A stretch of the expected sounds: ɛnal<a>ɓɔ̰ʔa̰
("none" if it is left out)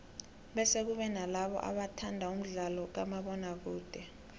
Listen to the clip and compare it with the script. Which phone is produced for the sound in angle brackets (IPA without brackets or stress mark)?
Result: a